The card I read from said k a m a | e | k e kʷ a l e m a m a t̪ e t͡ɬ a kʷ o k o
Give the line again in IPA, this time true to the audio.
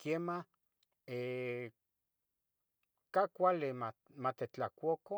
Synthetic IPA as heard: k e m a | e | k a kʷ a l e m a m a t̪ e t͡ɬ a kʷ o k o